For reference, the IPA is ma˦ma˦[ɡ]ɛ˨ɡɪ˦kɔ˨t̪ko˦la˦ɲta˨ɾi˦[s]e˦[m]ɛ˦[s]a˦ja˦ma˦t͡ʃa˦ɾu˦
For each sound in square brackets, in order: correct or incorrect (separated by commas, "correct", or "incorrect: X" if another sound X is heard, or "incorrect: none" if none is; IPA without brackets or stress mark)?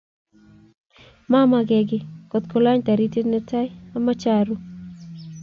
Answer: correct, incorrect: t, incorrect: n, incorrect: t